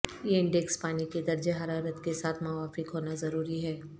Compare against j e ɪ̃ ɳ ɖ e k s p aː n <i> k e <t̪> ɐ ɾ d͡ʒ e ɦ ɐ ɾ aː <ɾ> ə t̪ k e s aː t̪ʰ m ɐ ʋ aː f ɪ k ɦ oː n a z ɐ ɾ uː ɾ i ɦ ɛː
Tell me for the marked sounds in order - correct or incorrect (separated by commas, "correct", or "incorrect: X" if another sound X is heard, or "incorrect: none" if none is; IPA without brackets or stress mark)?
correct, incorrect: d̪, correct